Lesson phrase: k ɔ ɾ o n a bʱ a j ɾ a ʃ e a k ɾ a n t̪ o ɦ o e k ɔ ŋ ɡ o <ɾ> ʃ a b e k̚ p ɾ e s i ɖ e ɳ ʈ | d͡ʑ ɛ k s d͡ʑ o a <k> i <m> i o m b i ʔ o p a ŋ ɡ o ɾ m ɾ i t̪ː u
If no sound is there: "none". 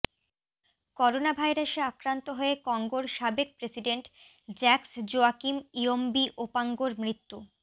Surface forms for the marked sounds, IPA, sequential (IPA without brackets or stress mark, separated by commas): ɾ, k, m